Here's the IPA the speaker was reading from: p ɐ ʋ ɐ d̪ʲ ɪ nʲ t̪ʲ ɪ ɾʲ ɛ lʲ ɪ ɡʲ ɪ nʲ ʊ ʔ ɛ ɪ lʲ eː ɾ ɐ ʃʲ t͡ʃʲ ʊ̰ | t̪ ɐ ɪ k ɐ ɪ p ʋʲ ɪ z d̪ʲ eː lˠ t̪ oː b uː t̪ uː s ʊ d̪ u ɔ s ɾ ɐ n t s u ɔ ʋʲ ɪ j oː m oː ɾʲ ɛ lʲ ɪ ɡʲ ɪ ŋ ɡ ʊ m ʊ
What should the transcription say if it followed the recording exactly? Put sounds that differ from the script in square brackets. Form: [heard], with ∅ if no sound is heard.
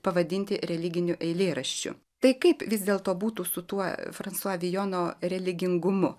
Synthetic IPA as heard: p ɐ ʋ ɐ d̪ʲ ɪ nʲ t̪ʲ ɪ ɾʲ ɛ lʲ ɪ ɡʲ ɪ nʲ ʊ ʔ ɛ ɪ lʲ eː ɾ ɐ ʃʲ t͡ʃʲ ʊ̰ | t̪ ɐ ɪ k ɐ ɪ p ʋʲ ɪ z d̪ʲ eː lˠ t̪ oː b uː t̪ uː s ʊ [t̪] u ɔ [f] ɾ ɐ n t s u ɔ ʋʲ ɪ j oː [n] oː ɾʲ ɛ lʲ ɪ ɡʲ ɪ ŋ ɡ ʊ m ʊ

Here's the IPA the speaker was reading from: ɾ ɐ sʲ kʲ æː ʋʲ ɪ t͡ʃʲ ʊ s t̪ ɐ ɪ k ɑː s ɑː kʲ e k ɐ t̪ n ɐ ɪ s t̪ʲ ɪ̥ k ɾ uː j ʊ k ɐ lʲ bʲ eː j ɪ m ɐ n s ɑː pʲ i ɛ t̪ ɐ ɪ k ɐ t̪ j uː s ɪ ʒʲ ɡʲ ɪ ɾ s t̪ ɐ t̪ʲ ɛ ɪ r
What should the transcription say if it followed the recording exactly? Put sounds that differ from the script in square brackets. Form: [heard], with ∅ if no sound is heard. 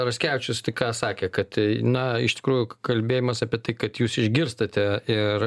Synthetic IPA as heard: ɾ ɐ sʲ kʲ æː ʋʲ ɪ t͡ʃʲ ʊ s t̪ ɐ ɪ k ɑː s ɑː kʲ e k ɐ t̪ n ɐ ɪ [ʃ] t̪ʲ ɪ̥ k ɾ uː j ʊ k ɐ lʲ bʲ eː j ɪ m ɐ [∅] s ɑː pʲ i ɛ t̪ ɐ ɪ k ɐ t̪ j uː s ɪ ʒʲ ɡʲ ɪ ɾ s t̪ ɐ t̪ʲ ɛ ɪ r

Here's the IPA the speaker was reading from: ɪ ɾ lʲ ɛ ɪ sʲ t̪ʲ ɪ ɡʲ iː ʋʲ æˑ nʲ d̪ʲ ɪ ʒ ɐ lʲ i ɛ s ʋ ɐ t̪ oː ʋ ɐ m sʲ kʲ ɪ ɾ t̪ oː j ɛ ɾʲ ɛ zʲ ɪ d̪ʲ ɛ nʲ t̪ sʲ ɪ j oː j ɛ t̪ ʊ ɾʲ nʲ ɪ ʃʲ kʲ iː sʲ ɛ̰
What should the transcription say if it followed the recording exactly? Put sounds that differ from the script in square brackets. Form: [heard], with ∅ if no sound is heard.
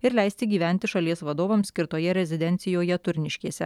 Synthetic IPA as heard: ɪ ɾ lʲ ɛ ɪ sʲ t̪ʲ ɪ ɡʲ iː ʋʲ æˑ nʲ [t̪ʲ] ɪ [ʃ] ɐ lʲ i ɛ s ʋ ɐ [d̪] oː ʋ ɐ m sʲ kʲ ɪ ɾ t̪ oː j ɛ ɾʲ ɛ zʲ ɪ d̪ʲ ɛ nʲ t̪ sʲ ɪ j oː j ɛ t̪ ʊ ɾʲ nʲ ɪ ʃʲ kʲ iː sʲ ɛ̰

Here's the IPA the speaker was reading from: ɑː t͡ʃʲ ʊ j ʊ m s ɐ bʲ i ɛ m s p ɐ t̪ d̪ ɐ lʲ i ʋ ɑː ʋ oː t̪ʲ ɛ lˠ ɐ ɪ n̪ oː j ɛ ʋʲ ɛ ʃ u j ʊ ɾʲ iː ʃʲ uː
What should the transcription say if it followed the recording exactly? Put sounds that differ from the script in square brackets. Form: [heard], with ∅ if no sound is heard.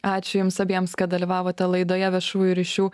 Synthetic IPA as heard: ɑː t͡ʃʲ ʊ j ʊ m s ɐ bʲ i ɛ m s [k] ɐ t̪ d̪ ɐ lʲ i ʋ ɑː ʋ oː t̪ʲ ɛ lˠ ɐ ɪ [d̪] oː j ɛ ʋʲ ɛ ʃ [uː] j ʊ ɾʲ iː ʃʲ uː

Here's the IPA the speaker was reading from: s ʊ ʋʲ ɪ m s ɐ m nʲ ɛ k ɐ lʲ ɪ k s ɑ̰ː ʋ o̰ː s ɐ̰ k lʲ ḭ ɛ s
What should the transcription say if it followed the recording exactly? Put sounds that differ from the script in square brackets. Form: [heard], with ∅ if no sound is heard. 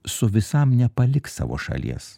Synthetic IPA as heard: s ʊ ʋʲ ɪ [∅] s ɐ m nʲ ɛ [p] ɐ lʲ ɪ k s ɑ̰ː ʋ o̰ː [ʃ] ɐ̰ [∅] lʲ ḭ ɛ s

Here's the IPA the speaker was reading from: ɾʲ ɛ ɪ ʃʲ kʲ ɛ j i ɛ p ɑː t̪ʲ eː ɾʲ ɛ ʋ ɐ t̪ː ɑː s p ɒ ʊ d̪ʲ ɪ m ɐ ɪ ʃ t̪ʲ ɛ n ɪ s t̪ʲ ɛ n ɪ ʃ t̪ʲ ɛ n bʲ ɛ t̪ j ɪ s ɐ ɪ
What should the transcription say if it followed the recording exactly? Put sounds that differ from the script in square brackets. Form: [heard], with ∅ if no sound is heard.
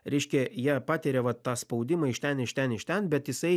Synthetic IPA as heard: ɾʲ ɛ ɪ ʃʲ kʲ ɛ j i ɛ p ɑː t̪ʲ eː ɾʲ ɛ ʋ ɐ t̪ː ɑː s p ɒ ʊ d̪ʲ ɪ m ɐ ɪ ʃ t̪ʲ ɛ n ɪ [ʃ] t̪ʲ ɛ n ɪ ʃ t̪ʲ ɛ n bʲ ɛ t̪ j ɪ s ɐ ɪ

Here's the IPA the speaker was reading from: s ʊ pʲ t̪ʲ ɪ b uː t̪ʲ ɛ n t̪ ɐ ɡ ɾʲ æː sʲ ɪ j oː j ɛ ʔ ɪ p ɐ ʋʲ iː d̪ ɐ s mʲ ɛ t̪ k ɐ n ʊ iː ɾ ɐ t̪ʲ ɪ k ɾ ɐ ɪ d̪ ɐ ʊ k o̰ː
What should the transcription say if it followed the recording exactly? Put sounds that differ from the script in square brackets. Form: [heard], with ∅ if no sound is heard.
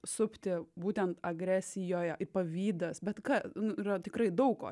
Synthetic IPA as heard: s ʊ pʲ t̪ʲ ɪ b uː t̪ʲ ɛ n t̪ ɐ ɡ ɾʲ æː sʲ ɪ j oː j ɛ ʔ ɪ p ɐ ʋʲ iː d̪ ɐ s [bʲ] ɛ t̪ k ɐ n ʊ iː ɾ ɐ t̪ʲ ɪ k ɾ ɐ ɪ d̪ ɐ ʊ k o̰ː

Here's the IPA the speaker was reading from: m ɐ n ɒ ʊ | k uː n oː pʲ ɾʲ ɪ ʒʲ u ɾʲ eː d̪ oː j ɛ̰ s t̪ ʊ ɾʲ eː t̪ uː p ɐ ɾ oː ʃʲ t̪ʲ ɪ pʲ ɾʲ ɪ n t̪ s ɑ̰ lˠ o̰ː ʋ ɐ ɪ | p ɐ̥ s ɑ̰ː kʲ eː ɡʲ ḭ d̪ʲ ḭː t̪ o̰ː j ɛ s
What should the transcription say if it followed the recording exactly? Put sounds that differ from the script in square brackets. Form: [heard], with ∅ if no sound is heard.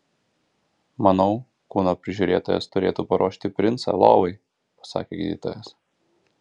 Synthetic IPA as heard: m ɐ n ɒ ʊ | k uː n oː pʲ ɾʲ ɪ ʒʲ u ɾʲ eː [t̪] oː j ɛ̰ s t̪ ʊ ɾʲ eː t̪ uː p ɐ ɾ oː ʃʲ t̪ʲ ɪ pʲ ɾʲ ɪ n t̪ s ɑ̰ lˠ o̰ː ʋ ɐ ɪ | p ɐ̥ s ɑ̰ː kʲ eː ɡʲ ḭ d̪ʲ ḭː t̪ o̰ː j ɛ s

